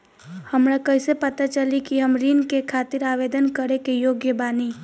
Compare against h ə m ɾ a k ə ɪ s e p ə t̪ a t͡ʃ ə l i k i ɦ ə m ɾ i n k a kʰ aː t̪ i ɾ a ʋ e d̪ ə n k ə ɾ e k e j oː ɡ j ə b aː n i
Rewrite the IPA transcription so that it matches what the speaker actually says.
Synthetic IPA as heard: h ə m ɾ a k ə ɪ s e p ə t̪ a t͡ʃ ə l i k i ɦ ə m ɾ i n k e kʰ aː t̪ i ɾ a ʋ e d̪ ə n k ə ɾ e k e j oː ɡ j ə b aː n i